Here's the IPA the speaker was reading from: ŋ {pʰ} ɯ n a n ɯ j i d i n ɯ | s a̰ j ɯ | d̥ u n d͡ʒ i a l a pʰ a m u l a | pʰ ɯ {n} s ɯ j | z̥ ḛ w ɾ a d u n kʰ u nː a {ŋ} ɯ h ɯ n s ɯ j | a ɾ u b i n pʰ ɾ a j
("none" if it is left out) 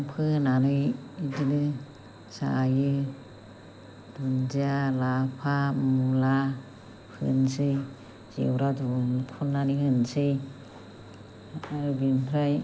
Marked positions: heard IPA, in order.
pʰ, n, n

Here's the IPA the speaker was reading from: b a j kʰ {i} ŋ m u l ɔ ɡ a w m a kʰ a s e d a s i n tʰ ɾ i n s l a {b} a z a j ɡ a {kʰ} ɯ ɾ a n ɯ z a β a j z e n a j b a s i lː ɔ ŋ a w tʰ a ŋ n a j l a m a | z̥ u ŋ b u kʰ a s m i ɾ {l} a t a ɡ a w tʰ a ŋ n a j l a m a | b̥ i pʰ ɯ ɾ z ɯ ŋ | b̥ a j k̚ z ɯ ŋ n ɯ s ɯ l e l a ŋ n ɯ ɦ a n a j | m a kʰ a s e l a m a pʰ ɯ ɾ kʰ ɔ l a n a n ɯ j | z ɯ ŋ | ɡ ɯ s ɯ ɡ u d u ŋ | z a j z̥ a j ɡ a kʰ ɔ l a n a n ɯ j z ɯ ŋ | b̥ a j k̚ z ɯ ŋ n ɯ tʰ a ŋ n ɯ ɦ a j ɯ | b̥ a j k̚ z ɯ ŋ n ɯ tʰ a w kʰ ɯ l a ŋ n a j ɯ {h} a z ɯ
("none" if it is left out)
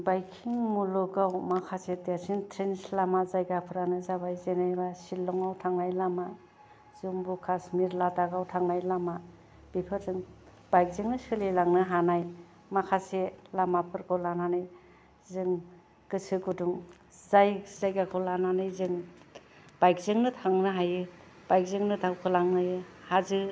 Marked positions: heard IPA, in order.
i, m, pʰ, l, h

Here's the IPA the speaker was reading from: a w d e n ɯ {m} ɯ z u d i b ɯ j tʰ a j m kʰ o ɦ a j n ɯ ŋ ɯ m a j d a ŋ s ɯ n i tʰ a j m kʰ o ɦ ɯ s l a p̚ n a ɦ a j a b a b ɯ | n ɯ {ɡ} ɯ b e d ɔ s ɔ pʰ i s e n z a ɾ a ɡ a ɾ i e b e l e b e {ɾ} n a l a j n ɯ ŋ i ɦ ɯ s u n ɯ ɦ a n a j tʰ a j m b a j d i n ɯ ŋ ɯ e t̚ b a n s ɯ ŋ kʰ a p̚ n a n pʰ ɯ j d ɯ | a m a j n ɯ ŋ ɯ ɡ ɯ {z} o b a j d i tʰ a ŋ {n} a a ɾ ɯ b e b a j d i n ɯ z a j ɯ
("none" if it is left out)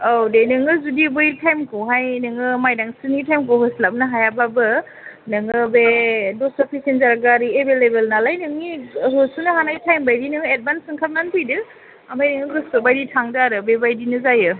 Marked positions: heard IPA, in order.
ŋ, ŋ, l, s, d

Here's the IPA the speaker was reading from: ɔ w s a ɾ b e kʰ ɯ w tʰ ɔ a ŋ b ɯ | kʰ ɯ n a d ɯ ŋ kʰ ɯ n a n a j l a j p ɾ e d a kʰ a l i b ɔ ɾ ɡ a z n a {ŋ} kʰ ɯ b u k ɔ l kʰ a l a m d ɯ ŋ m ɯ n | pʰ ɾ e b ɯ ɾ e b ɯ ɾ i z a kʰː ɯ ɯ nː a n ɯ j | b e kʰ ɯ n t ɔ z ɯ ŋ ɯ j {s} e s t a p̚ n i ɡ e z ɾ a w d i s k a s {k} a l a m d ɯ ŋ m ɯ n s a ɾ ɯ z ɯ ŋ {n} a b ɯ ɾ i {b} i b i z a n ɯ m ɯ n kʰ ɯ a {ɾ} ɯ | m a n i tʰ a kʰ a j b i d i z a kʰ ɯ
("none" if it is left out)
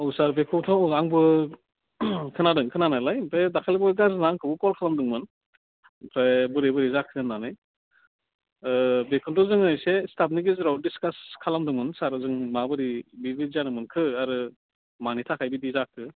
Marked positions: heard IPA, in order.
ŋ, s, kʰ, m, b, ɾ

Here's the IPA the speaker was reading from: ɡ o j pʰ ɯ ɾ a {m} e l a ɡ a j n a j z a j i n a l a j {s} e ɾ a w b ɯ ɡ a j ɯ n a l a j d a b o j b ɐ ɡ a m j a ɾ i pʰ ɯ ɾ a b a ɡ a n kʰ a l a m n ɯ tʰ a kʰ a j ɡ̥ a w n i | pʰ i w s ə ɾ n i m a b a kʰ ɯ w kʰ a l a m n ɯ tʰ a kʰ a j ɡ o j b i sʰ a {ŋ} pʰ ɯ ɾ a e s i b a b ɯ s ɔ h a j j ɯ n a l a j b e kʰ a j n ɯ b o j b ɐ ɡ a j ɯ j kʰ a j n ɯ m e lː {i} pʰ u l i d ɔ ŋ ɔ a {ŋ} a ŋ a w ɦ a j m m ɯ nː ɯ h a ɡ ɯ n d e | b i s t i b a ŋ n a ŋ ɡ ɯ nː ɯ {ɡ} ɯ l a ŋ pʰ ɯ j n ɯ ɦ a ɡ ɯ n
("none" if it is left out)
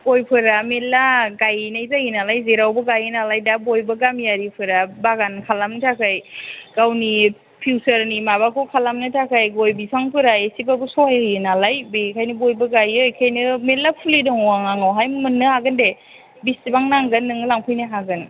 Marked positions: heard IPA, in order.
m, z, ŋ, a, ŋ, ŋ

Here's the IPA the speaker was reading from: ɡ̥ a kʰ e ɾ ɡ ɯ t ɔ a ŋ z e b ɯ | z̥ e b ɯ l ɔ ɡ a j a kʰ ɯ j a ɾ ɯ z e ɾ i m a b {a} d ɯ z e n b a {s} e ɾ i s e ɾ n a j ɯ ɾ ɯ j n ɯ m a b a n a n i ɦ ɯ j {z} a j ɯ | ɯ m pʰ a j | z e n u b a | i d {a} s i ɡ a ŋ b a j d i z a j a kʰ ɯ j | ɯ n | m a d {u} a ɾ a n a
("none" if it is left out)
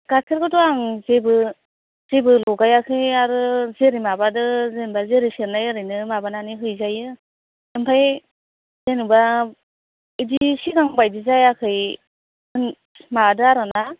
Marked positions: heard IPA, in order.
a, z, z, i, ɯ

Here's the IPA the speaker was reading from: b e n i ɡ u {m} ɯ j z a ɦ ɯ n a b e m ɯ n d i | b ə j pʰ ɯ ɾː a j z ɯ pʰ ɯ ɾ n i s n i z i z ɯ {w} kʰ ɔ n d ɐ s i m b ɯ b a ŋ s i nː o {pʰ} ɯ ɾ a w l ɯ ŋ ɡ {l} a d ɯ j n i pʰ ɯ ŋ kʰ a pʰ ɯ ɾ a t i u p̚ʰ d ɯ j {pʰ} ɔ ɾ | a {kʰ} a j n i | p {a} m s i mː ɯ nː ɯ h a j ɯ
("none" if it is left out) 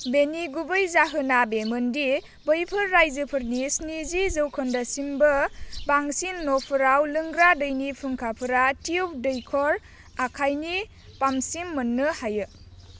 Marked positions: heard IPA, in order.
b, w, pʰ, ɾ, kʰ, kʰ, a

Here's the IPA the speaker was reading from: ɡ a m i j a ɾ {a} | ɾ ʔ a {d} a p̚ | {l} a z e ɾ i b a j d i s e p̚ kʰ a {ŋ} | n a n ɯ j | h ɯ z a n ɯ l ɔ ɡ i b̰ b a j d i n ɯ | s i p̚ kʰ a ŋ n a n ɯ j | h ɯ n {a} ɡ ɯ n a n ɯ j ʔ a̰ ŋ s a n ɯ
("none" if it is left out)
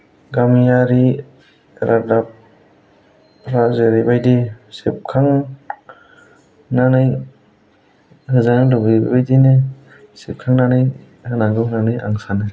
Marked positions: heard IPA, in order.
i, d, ɾ, ŋ, a

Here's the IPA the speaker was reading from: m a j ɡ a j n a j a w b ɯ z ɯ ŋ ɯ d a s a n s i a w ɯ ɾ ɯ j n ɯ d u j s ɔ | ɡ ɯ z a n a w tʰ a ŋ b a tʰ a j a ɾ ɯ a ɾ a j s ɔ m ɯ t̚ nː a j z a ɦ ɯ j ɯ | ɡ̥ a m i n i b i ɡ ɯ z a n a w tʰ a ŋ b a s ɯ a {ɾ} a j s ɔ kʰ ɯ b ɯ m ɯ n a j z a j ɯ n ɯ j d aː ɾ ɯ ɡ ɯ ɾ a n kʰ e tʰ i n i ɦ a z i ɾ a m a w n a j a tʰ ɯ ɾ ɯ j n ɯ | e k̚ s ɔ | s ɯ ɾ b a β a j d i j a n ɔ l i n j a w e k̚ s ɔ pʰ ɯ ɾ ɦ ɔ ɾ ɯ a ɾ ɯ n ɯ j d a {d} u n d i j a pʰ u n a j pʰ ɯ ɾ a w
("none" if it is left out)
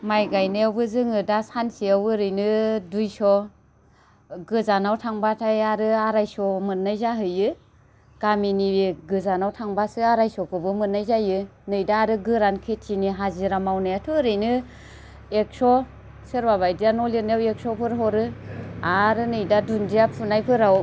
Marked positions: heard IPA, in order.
ɾ, d

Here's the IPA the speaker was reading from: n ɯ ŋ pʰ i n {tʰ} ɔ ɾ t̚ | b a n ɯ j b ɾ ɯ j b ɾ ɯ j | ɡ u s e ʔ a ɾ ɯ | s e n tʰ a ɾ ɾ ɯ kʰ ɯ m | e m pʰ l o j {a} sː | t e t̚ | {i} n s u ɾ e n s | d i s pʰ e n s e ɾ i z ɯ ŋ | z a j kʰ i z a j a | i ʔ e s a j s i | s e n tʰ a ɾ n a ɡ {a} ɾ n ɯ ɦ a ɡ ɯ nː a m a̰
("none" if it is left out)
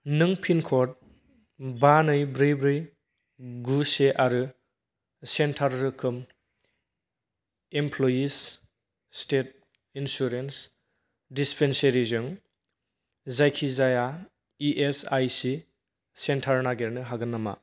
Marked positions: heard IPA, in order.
kʰ, i, i, e

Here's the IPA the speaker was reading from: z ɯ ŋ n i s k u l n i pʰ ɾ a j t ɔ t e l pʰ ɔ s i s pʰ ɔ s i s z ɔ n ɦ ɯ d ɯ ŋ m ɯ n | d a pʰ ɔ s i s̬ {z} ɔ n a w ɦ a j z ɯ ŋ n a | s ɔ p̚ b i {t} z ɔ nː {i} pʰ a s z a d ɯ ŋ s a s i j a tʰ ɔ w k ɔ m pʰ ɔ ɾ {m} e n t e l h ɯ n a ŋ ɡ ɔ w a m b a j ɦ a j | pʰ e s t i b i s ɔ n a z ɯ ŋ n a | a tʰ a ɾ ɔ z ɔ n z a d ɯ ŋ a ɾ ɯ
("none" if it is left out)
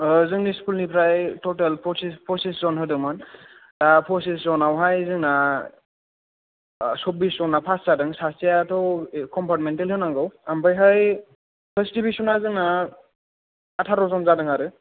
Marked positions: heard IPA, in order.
z, s, a, m

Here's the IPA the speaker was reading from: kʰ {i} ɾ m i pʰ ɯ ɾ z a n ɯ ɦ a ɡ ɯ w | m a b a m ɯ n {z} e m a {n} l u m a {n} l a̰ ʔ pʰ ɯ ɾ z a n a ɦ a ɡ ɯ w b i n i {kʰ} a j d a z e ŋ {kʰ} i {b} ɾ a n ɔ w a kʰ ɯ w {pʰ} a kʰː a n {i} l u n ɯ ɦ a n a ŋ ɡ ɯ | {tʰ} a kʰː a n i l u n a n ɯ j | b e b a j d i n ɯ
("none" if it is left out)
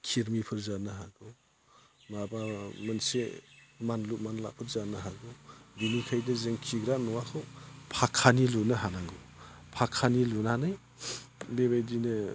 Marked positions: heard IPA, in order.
i, s, n, n, kʰ, kʰ, ɡ, pʰ, i, pʰ

